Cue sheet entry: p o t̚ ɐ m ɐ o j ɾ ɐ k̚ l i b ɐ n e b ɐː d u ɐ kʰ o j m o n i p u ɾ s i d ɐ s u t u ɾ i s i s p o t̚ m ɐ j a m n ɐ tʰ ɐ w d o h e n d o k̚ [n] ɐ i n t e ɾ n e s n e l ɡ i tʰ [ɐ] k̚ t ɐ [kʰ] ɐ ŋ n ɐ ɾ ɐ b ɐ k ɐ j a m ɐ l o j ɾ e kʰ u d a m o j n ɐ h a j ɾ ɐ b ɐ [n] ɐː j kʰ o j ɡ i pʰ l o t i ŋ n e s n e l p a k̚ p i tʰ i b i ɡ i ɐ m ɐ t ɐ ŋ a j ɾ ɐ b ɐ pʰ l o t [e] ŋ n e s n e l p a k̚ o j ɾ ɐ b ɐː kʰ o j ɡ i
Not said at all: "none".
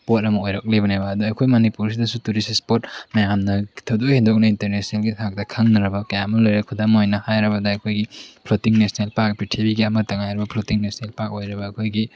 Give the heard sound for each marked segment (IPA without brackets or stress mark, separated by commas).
n, a, kʰ, d, i